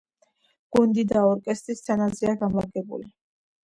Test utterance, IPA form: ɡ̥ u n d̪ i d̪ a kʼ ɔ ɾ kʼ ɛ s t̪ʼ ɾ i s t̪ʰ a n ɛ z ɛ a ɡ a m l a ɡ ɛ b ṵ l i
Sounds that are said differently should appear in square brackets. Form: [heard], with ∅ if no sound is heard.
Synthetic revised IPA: ɡ̥ u n d̪ i d̪ a [∅] ɔ ɾ kʼ ɛ s t̪ʼ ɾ i s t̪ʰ a n [a] z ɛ a ɡ a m l a ɡ ɛ b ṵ l i